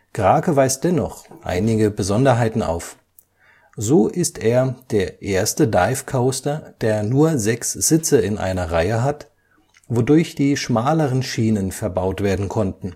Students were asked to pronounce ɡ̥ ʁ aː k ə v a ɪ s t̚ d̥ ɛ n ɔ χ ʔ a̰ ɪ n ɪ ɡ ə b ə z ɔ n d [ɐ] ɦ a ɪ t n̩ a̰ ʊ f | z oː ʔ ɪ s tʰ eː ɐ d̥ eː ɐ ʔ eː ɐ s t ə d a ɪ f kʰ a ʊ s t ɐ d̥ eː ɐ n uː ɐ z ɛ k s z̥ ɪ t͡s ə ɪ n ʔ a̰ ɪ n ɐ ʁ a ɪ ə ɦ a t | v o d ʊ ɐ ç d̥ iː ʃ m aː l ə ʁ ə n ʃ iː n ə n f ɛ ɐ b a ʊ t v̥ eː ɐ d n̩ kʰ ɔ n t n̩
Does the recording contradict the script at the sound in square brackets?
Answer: no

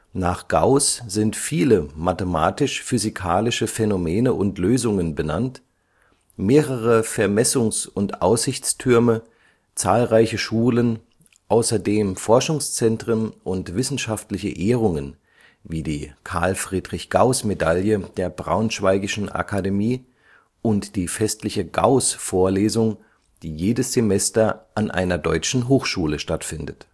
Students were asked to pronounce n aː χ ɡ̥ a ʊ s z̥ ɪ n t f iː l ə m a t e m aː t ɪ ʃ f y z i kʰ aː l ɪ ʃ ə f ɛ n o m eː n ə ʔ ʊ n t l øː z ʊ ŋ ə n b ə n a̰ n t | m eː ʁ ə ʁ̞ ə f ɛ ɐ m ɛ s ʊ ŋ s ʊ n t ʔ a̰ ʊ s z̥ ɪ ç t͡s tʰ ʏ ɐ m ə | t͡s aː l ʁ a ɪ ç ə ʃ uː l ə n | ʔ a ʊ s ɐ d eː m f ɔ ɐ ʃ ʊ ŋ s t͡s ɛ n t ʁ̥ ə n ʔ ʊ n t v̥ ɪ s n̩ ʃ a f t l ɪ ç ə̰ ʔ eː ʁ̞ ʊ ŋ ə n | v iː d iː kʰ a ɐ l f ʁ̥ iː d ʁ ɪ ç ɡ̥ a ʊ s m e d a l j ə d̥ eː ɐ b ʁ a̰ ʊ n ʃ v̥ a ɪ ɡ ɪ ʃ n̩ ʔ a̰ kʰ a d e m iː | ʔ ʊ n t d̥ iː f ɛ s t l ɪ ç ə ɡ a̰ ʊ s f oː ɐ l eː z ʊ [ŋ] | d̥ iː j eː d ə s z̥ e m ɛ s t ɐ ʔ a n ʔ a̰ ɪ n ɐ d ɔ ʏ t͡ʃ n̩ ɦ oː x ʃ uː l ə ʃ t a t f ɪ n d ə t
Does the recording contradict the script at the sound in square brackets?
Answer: no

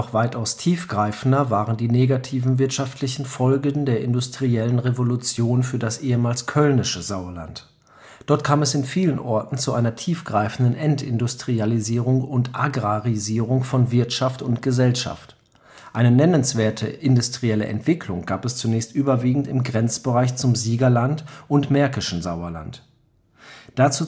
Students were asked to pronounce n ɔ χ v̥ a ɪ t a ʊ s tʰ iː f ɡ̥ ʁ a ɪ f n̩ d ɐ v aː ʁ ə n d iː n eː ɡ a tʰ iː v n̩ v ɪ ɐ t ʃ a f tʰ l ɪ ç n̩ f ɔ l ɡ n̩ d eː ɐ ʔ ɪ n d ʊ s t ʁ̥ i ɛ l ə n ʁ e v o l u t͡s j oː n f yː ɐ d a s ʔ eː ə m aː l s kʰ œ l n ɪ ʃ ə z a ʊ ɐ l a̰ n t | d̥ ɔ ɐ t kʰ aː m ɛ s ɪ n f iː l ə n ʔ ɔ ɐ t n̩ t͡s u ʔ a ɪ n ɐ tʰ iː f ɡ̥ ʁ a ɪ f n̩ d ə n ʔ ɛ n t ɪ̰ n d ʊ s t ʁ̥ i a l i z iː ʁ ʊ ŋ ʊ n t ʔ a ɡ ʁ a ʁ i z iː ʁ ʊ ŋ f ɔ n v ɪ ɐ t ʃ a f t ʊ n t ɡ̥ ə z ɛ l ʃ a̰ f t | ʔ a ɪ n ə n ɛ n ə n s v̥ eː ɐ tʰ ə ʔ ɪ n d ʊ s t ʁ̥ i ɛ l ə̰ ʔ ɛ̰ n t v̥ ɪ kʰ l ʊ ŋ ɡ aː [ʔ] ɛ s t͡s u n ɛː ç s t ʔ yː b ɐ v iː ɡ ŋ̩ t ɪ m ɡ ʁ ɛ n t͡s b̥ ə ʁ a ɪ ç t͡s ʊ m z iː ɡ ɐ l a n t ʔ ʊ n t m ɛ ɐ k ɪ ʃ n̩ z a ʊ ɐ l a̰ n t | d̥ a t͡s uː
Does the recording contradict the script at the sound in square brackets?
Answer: yes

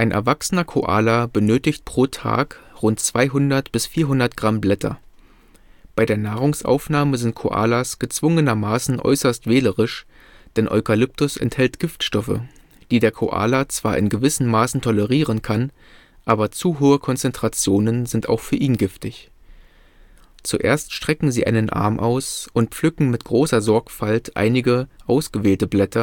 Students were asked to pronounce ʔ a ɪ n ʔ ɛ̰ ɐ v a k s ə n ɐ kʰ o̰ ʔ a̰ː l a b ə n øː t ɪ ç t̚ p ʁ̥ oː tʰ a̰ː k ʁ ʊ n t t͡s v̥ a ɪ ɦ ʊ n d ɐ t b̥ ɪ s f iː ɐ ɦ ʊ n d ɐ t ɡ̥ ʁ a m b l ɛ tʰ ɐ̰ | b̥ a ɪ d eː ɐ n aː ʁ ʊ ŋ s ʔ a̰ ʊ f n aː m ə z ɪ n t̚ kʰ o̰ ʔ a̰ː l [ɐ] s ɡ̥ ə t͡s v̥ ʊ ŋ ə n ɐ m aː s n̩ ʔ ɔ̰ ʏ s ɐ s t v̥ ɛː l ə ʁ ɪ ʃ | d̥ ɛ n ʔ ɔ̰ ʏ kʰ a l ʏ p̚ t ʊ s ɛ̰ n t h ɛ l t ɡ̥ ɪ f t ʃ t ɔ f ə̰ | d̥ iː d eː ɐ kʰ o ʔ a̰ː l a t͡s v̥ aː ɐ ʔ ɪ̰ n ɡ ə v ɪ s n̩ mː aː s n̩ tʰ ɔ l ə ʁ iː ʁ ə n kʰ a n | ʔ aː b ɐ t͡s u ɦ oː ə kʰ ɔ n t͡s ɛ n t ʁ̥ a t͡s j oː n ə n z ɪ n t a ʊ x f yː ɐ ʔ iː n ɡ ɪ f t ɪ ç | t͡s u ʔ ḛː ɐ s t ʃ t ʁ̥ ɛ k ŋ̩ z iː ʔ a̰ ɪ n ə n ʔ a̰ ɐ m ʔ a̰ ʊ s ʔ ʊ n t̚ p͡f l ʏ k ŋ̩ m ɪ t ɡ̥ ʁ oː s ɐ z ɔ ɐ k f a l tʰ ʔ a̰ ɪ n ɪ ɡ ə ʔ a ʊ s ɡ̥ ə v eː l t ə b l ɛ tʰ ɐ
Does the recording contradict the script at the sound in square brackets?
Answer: yes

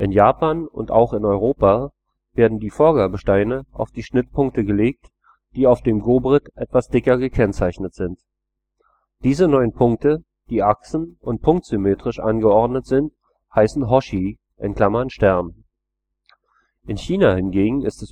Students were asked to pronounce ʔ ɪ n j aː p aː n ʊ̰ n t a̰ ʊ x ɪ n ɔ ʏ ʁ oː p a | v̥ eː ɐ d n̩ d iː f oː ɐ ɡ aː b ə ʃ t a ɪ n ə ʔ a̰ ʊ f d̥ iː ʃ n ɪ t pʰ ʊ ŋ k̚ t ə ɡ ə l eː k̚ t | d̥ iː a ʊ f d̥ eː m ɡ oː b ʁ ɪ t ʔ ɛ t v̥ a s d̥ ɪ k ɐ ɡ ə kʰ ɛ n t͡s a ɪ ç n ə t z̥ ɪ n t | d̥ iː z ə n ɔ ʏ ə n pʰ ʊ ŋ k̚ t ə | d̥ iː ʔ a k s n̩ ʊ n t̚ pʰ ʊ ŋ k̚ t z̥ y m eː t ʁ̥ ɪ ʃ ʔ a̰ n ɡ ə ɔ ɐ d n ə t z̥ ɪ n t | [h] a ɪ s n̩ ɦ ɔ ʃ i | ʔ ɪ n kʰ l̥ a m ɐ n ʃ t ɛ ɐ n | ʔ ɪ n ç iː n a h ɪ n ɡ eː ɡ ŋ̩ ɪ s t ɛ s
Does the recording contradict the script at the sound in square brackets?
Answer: no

